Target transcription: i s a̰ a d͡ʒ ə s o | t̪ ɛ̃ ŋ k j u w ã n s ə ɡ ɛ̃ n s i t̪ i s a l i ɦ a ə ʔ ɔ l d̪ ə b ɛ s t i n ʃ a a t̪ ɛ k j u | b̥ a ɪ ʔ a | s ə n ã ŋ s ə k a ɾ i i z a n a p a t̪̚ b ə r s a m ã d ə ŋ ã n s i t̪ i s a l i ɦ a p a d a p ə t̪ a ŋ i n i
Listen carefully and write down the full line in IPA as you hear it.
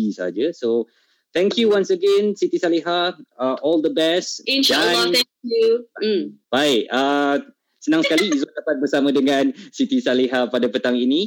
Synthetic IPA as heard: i s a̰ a d͡ʒ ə s o | t̪ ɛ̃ ŋ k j u w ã n s ə ɡ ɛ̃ n s i t̪ i s a l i ɦ a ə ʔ ɔ l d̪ ə b ɛ s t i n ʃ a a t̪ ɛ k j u | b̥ a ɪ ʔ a | s ə n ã ŋ s ə k a l i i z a d a p a t̪̚ b ə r s a m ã d ə ŋ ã n s i t̪ i s a l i ɦ a p a d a p ə t̪ a ŋ i n i